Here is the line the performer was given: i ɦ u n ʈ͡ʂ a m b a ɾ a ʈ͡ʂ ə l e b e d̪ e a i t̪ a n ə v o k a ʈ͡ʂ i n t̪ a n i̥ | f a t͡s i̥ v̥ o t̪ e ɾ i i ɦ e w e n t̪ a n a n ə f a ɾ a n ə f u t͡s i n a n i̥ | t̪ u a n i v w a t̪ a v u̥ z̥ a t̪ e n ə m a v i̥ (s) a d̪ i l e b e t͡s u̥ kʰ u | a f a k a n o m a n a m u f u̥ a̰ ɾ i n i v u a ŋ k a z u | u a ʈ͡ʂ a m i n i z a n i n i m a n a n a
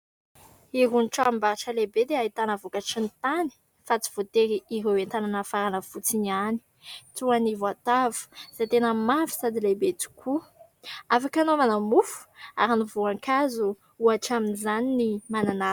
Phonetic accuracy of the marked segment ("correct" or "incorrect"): correct